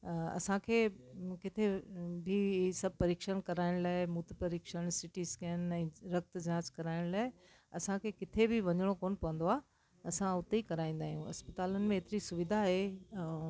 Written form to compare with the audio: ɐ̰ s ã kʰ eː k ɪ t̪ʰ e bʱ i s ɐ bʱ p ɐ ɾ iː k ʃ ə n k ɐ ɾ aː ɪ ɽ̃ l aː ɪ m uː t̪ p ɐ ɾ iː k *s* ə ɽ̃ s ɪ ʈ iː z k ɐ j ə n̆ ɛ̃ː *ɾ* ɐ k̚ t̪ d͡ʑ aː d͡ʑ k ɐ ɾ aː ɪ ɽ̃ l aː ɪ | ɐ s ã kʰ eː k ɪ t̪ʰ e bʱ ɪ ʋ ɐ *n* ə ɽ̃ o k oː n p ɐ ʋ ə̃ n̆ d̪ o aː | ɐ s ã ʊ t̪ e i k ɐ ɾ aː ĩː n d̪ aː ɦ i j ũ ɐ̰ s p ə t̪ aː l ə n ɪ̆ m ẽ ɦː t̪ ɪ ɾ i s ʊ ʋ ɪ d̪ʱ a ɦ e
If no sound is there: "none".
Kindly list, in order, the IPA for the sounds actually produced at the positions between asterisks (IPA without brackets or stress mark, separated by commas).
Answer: ʃ, ɾ, ɲ